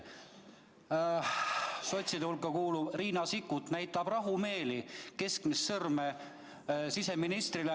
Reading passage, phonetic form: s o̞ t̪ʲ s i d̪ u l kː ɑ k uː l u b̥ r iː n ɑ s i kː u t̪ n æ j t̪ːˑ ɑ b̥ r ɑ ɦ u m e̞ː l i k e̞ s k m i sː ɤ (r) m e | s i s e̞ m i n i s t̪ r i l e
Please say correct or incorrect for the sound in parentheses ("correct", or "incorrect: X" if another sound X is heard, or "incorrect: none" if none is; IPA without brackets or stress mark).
correct